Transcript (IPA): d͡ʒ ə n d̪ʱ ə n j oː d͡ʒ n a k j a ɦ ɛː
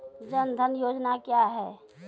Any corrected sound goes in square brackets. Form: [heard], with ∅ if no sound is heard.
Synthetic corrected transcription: d͡ʒ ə n d̪ʱ ə n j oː d͡ʒ n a k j a ɦ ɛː